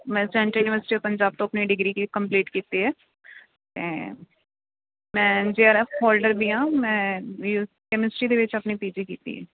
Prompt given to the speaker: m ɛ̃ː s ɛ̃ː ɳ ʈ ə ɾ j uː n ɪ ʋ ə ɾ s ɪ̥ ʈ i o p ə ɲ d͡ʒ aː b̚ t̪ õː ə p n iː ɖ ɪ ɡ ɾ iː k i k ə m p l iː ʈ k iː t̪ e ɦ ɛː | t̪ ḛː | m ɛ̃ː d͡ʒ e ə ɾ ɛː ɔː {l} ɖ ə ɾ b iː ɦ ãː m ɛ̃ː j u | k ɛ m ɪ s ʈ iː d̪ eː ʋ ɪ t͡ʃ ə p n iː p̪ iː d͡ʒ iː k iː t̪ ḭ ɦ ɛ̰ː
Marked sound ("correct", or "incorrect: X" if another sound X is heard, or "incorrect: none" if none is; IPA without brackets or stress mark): correct